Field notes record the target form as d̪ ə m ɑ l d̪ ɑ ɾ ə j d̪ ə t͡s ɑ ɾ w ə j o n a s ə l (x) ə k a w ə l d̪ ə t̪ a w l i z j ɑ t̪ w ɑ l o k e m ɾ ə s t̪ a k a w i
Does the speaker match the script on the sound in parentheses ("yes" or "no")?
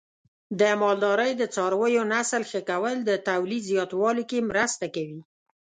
yes